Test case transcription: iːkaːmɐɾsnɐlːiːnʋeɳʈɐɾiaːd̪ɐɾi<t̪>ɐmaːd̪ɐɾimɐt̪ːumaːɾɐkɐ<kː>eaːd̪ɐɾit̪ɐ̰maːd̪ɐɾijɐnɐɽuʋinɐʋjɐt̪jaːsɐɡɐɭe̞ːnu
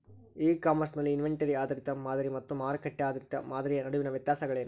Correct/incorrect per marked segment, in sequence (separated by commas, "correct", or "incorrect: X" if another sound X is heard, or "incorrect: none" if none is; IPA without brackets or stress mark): correct, incorrect: ʈː